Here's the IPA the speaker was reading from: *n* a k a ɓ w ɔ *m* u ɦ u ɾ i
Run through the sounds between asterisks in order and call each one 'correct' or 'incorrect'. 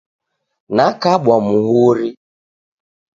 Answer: correct, correct

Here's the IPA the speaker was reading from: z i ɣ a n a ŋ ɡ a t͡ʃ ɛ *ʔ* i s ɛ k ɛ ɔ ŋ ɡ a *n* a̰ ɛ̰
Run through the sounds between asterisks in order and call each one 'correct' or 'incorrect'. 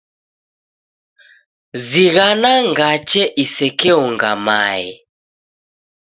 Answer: correct, incorrect: m

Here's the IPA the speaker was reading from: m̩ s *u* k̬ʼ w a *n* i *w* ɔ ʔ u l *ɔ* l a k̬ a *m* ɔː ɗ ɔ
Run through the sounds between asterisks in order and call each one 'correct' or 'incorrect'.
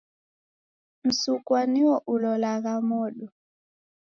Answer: correct, correct, correct, correct, correct

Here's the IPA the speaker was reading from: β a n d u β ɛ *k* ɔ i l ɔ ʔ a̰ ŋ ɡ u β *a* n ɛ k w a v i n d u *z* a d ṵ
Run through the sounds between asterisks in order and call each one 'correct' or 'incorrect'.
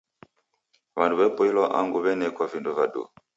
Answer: incorrect: p, incorrect: ɛ, incorrect: v

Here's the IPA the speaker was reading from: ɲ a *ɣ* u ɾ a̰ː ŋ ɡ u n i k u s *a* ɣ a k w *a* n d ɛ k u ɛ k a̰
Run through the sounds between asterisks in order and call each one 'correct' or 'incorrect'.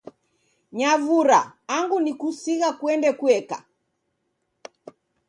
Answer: incorrect: v, incorrect: i, incorrect: ɛ

